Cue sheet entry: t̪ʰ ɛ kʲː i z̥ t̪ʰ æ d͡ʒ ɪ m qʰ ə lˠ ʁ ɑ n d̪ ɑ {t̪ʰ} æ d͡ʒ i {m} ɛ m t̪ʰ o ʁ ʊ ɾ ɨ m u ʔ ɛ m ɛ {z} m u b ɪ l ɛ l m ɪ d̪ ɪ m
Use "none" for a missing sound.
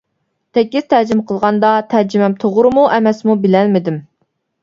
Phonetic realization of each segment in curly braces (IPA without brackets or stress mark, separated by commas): t̪ʰ, m, s